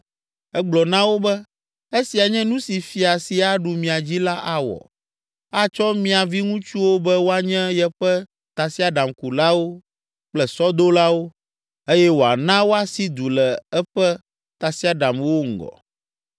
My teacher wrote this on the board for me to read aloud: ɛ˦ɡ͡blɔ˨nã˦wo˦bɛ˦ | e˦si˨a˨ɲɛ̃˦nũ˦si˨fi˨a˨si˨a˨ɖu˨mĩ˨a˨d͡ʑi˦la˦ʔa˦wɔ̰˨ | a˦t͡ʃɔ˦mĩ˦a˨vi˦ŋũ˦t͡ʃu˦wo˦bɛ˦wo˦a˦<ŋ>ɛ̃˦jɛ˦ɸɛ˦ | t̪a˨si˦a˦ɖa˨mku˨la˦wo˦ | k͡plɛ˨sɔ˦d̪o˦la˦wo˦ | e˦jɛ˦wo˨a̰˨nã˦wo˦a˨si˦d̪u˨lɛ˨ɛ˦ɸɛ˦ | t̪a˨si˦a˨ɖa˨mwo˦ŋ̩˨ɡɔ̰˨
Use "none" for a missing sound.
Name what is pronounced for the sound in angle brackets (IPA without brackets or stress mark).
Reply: ɲ